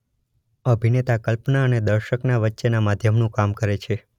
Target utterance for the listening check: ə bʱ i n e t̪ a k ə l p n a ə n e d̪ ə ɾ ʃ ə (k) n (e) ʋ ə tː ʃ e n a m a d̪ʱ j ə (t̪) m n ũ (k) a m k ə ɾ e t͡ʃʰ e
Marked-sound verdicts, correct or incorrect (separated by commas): correct, incorrect, incorrect, correct